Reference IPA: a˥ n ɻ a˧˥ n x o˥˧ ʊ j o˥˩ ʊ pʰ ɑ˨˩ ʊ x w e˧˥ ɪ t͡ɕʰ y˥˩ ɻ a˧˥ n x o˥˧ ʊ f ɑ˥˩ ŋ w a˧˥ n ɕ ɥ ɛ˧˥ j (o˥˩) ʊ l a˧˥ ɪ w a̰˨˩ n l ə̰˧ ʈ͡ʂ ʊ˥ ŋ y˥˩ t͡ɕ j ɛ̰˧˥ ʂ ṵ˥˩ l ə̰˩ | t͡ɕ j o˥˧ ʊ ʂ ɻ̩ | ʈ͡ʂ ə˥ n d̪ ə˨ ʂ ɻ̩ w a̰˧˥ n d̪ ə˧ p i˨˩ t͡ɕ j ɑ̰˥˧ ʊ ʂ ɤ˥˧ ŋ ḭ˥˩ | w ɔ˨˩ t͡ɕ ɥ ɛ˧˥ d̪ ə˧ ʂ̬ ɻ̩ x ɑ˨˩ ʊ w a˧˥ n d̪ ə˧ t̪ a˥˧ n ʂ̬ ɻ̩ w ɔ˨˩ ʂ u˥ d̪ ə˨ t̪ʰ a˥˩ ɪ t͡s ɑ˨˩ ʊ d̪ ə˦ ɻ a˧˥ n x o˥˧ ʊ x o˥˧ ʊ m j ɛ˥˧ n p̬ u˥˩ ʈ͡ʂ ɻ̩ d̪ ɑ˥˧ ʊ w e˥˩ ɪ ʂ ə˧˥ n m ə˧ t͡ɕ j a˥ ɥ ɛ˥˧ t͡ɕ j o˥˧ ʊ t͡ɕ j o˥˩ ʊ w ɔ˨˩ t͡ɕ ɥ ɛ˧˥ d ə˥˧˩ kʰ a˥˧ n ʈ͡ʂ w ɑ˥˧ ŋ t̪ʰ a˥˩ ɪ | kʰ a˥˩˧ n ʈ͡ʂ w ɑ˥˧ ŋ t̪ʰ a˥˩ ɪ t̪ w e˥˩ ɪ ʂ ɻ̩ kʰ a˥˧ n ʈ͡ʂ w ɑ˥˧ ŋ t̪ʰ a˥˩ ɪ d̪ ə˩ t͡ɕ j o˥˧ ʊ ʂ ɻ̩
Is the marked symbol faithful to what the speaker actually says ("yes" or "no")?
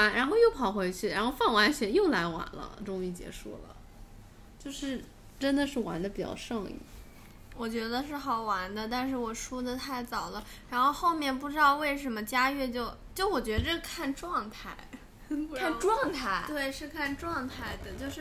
yes